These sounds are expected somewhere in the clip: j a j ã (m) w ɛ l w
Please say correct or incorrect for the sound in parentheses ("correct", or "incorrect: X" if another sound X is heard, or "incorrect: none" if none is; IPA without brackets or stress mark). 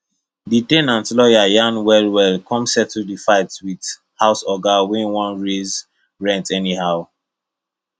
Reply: incorrect: n